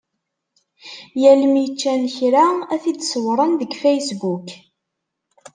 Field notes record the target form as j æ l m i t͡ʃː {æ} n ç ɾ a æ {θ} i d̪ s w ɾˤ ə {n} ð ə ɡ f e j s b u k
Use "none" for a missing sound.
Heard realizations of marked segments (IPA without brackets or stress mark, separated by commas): æ, θ, n